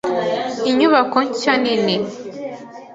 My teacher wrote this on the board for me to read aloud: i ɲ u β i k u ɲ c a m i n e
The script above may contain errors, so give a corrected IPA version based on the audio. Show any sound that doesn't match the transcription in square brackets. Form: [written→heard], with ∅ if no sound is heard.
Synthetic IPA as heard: i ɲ u β [i→a] k [u→o] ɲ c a [m→n] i n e